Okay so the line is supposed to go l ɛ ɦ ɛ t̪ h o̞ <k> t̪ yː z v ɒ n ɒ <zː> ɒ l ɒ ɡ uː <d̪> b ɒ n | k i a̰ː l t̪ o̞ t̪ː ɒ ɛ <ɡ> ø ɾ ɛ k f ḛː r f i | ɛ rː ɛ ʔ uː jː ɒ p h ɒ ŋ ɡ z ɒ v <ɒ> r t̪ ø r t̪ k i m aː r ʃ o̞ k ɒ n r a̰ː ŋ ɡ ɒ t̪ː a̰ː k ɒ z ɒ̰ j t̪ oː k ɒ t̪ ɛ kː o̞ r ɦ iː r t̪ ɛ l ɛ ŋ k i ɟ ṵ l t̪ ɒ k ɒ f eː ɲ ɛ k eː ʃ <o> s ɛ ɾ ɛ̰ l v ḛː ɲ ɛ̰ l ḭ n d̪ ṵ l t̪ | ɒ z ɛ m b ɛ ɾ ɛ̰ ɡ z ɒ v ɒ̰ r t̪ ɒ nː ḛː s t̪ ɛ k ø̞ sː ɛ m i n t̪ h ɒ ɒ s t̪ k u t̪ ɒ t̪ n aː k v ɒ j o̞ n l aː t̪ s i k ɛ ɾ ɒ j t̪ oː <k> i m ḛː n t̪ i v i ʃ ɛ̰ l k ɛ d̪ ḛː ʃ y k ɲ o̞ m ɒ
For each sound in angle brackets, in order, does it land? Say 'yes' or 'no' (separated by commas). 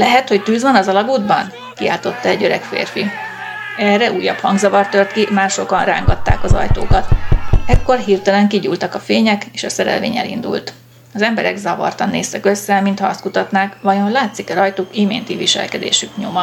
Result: no, no, yes, no, yes, no, yes